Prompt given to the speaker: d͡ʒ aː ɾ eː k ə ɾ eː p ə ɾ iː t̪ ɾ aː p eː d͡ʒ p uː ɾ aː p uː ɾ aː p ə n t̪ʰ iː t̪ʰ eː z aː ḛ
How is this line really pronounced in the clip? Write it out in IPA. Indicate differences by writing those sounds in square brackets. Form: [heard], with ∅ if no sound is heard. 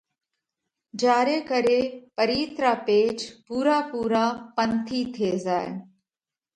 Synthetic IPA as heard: d͡ʒ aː ɾ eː k ə ɾ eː p ə ɾ iː t̪ ɾ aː p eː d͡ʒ p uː ɾ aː p uː ɾ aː p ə n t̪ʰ iː t̪ʰ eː z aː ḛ